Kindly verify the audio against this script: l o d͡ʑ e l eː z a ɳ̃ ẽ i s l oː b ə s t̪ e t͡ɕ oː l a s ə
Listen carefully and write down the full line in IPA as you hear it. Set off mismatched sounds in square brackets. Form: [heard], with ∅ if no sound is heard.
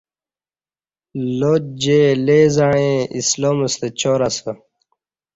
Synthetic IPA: l o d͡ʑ e l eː z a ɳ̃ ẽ i s l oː [m] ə s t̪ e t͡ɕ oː [ɾ] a s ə